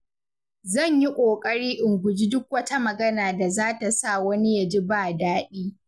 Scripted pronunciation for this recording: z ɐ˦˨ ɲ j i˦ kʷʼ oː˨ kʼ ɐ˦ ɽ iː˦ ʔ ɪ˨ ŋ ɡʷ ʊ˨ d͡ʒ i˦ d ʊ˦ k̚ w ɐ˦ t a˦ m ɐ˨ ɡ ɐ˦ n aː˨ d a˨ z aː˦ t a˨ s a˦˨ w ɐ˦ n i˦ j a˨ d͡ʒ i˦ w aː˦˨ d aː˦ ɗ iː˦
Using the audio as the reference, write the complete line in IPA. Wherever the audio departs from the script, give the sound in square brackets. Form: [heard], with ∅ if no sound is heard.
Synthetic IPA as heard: z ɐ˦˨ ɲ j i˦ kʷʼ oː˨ kʼ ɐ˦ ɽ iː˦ ʔ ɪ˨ ŋ ɡʷ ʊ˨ d͡ʒ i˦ d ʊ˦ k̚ w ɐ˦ t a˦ m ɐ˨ ɡ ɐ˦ n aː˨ d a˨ z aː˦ t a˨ s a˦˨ w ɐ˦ n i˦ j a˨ d͡ʒ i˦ [b] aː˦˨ d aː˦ ɗ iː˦